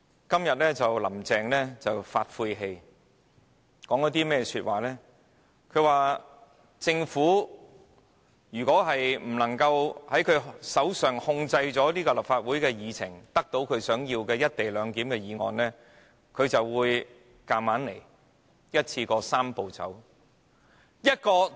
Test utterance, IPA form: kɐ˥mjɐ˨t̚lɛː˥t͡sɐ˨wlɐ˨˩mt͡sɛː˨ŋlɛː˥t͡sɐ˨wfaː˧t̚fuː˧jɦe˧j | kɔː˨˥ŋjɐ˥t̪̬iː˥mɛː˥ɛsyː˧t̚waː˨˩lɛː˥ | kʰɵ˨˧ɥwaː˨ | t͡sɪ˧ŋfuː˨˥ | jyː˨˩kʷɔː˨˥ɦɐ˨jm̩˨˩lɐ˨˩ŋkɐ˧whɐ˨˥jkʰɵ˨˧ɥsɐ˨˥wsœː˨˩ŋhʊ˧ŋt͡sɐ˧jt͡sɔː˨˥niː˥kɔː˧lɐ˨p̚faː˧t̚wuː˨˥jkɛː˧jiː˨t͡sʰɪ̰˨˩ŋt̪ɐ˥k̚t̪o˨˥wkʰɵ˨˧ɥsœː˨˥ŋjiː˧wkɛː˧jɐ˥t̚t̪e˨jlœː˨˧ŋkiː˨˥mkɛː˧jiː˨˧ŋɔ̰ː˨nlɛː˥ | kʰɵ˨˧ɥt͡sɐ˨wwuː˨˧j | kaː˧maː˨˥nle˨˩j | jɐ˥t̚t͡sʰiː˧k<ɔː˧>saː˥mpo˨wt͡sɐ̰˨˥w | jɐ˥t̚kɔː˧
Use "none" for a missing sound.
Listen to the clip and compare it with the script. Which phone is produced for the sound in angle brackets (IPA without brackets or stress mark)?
ɔː˧